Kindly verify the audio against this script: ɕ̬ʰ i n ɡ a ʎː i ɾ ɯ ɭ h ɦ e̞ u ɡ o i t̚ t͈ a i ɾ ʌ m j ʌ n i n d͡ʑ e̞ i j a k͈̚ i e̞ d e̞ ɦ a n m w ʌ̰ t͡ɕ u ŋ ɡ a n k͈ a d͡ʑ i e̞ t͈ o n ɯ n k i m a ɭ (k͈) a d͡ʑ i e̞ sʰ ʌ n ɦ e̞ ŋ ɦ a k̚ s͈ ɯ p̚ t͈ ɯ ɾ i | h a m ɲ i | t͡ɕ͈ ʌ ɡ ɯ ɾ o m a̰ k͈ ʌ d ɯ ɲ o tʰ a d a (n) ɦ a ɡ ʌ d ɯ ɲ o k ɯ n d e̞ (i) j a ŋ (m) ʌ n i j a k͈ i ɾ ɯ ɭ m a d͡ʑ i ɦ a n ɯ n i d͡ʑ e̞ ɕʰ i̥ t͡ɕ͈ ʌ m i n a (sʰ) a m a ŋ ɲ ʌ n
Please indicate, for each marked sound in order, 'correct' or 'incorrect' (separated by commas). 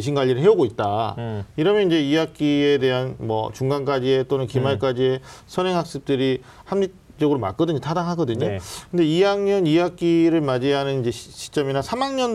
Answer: correct, incorrect, correct, incorrect, correct